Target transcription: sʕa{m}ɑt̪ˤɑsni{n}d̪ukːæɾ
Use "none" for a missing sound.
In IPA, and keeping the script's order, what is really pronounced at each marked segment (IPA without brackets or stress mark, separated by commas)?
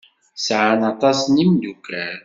n, m